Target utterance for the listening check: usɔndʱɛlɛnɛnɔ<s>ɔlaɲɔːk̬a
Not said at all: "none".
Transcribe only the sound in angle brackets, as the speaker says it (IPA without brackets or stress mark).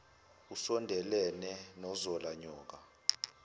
z